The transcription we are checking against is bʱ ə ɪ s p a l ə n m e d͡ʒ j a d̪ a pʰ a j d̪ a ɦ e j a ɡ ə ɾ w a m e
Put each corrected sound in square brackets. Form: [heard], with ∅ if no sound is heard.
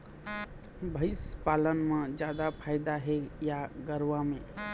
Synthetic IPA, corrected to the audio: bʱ ə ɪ s p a l ə n m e d͡ʒ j a d̪ a pʰ a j d̪ a ɦ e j a ɡ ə ɾ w a m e